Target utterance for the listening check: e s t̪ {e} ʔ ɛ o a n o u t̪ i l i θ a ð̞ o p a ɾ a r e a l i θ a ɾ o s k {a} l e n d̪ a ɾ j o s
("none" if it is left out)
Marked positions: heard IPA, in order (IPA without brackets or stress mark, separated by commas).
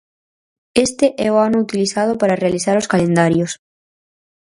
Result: e, a